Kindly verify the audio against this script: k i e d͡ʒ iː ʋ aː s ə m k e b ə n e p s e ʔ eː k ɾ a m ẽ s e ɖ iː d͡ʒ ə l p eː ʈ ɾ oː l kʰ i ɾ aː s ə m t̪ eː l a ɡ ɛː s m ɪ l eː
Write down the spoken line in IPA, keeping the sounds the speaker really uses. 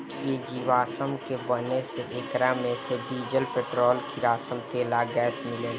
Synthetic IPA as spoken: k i e d͡ʒ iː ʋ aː s ə m k e b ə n e s e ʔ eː k ɾ a m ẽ s e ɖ iː d͡ʒ ə l p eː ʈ ɾ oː l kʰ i ɾ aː s ə m t̪ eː l a ɡ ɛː s m ɪ l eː